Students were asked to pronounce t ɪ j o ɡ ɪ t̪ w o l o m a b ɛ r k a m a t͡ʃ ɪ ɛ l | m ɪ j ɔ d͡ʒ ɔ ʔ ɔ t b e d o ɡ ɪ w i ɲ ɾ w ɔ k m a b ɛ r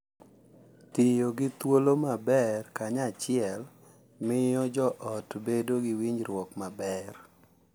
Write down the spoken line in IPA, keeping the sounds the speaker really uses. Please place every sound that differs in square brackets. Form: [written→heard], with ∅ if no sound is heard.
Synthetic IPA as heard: t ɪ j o ɡ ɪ t̪ w o l o m a b ɛ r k a [m→ɲ] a t͡ʃ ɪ ɛ l | m ɪ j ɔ d͡ʒ ɔ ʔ ɔ t b e d o ɡ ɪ w i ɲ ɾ w ɔ k m a b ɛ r